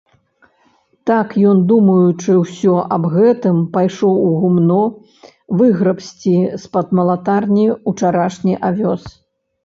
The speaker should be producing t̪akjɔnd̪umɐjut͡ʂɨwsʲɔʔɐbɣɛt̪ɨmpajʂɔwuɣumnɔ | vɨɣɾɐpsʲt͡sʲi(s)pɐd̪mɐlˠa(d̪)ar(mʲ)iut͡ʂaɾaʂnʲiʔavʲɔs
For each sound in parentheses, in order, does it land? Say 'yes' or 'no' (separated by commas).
yes, no, no